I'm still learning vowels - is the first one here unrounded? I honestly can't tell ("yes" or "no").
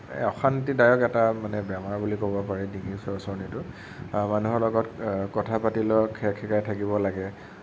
no